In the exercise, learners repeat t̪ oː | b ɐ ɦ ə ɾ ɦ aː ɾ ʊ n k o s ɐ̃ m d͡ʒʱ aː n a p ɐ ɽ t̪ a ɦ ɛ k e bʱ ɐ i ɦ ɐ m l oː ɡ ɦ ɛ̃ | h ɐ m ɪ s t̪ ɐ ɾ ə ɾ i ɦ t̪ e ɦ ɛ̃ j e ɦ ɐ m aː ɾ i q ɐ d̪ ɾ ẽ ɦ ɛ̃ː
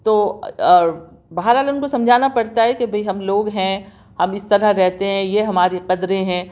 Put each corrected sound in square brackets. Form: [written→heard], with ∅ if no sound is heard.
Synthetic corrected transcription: t̪ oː | b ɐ ɦ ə ɾ ɦ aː [ɾ→l] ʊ n k o s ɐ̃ m d͡ʒʱ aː n a p ɐ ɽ t̪ a ɦ ɛ k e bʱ ɐ i ɦ ɐ m l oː ɡ ɦ ɛ̃ | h ɐ m ɪ s t̪ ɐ ɾ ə ɾ [i→ɛ] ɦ t̪ e ɦ ɛ̃ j e ɦ ɐ m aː ɾ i q ɐ d̪ ɾ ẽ ɦ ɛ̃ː